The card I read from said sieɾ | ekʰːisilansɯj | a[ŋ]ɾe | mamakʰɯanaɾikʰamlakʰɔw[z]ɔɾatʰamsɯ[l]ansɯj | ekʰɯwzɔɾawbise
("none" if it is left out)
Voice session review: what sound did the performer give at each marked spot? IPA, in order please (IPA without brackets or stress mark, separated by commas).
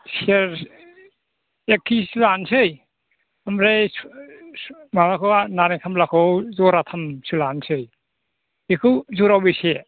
m, z, l